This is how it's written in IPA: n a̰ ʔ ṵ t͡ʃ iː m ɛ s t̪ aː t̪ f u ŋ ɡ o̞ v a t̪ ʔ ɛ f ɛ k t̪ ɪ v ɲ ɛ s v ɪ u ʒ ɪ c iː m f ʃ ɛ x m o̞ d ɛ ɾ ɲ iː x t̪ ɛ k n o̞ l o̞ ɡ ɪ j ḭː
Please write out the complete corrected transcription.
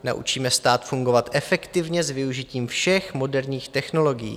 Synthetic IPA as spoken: n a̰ ʔ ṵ t͡ʃ iː m ɛ s t̪ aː t̪ f u ŋ ɡ o̞ v a t̪ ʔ ɛ f ɛ k t̪ ɪ v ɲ ɛ z v ɪ u ʒ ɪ c iː m f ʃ ɛ x m o̞ d ɛ ɾ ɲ iː x t̪ ɛ x n o̞ l o̞ ɡ ɪ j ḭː